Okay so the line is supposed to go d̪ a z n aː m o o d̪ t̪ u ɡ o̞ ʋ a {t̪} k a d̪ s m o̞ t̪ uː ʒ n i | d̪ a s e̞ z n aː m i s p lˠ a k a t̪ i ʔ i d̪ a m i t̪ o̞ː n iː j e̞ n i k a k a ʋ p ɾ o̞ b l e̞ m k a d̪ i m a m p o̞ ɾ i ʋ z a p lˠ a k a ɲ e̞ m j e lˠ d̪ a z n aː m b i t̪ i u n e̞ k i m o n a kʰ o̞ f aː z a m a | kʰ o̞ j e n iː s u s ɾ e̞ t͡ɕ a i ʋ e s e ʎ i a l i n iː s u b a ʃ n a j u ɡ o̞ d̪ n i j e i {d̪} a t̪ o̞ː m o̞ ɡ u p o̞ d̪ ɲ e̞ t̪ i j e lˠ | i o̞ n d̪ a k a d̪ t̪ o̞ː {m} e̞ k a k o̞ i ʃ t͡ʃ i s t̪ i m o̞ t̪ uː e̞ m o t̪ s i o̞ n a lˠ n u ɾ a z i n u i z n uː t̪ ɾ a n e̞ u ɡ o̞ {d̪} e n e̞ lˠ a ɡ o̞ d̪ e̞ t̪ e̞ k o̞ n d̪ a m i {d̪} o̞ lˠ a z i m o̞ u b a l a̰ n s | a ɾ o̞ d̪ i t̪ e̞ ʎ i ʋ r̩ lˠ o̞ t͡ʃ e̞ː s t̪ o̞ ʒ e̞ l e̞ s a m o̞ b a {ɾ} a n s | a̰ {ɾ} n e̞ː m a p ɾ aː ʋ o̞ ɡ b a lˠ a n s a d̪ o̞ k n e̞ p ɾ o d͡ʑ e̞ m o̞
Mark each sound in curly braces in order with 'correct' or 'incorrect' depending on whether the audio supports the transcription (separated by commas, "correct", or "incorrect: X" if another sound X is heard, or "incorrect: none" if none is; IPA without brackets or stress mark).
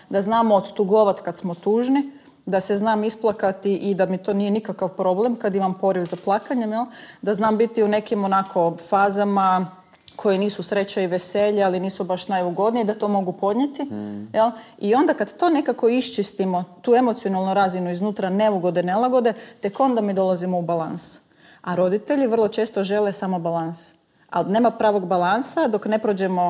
correct, correct, incorrect: n, correct, correct, incorrect: l, incorrect: l